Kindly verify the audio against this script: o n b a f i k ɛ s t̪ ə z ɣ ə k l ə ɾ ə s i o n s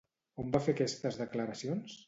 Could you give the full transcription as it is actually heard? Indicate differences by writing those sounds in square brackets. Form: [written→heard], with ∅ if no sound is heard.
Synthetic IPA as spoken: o [n→m] b a f [i→e] k ɛ s t̪ ə z [ɣ→ð] ə k l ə ɾ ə s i o n s

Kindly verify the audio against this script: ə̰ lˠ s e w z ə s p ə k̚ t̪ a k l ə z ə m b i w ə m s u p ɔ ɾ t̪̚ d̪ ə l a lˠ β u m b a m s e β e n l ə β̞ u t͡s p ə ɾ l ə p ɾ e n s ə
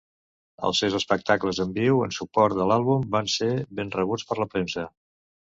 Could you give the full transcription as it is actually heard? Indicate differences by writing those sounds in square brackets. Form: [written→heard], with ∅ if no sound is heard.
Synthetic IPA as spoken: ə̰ lˠ s e w z ə s p ə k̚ t̪ a k l ə z ə m b i w ə [m→n] s u p ɔ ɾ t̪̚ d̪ ə l a lˠ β u m b a [m→n] s e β e n [l→r] ə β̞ u t͡s p ə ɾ l ə p ɾ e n s ə

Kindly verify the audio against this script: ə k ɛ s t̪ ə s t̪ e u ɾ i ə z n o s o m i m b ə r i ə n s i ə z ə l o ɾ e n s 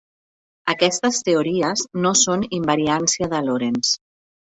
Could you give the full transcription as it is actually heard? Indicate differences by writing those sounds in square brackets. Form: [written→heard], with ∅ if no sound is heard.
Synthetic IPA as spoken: ə k ɛ s t̪ ə s t̪ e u ɾ i ə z n o s o [m→n] i m b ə [r→ɾ] i [ə→a] n s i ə [z→ð] ə l o ɾ e n s

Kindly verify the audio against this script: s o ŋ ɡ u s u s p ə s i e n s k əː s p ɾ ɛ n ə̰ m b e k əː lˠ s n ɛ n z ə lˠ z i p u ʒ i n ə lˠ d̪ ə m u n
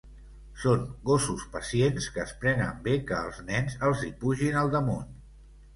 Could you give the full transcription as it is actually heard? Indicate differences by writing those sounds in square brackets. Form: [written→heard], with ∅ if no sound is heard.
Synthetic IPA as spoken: s o ŋ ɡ [u→o] s u s p ə s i e n s k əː s p ɾ ɛ n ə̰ m b e k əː lˠ [s→z] n ɛ n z ə lˠ z i p u ʒ i n ə lˠ d̪ ə m u n

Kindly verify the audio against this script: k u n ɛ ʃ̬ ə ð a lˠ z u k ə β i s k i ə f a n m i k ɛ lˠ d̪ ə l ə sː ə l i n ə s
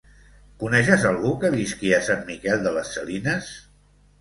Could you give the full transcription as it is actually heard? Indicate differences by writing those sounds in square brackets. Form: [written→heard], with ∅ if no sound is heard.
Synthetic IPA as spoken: k u n ɛ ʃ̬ ə [ð→z] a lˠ [z→ɣ] u k ə β i s k i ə [f→s] a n m i k ɛ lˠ d̪ ə l ə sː ə l i n ə s

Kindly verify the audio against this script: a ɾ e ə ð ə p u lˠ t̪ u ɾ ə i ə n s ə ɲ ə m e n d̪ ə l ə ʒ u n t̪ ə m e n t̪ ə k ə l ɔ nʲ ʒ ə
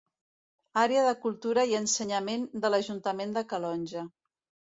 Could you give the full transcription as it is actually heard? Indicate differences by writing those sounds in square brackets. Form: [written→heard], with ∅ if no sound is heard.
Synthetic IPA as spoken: a ɾ e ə ð ə [p→k] u lˠ t̪ u ɾ ə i ə n s ə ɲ ə m e n d̪ ə l ə ʒ u n t̪ ə m e n [t̪→d̪] ə k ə l ɔ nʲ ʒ ə

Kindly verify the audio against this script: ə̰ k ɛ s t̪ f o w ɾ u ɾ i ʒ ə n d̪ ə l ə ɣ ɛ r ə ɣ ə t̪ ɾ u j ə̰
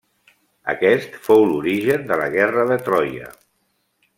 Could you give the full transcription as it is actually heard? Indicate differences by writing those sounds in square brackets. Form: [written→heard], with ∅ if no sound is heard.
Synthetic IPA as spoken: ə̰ k ɛ s t̪ f o w [ɾ→l] u ɾ i ʒ ə n d̪ ə l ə ɣ ɛ r ə [ɣ→ð] ə t̪ ɾ [u→ɔ] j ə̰

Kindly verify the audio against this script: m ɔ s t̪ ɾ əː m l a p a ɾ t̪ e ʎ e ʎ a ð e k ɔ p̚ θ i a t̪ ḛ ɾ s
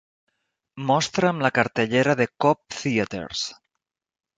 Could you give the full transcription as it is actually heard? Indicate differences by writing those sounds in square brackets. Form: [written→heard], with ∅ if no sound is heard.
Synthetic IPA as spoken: m ɔ s t̪ ɾ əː m l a [p→k] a ɾ t̪ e ʎ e [ʎ→ɾ] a ð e k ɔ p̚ θ i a t̪ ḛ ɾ s

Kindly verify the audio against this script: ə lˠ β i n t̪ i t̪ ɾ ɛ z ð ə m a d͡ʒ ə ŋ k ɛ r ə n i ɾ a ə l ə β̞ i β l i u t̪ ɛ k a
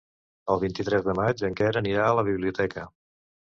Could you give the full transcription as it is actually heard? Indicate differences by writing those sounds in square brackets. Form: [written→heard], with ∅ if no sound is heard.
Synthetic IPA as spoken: ə lˠ β i n t̪ i t̪ ɾ ɛ z ð ə m a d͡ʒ ə ŋ k ɛ [r→ɾ] ə n i ɾ a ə l ə β̞ i β l i u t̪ ɛ k [a→ə]

